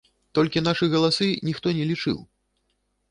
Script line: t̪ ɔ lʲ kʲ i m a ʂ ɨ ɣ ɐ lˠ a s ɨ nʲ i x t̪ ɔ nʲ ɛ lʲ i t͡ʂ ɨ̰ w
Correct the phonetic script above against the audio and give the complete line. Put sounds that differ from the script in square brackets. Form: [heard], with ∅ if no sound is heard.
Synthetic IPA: t̪ ɔ lʲ kʲ i [n] a ʂ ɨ ɣ ɐ lˠ a s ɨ nʲ i x t̪ ɔ nʲ ɛ lʲ i t͡ʂ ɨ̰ w